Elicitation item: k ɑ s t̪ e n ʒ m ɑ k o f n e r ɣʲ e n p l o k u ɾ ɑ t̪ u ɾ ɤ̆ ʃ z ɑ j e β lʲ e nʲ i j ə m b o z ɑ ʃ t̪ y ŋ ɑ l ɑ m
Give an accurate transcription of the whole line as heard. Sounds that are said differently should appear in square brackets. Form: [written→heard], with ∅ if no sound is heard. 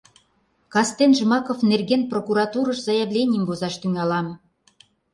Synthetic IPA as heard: k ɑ s t̪ e n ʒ m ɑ k o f n e r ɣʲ e n p [l→r] o k u ɾ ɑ t̪ u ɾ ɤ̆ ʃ z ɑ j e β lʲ e nʲ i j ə m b o z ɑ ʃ t̪ y ŋ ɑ l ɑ m